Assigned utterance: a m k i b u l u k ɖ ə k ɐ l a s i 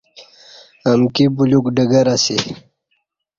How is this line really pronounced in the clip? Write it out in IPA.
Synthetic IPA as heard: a m k i b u l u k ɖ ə ɡ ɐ ɾ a s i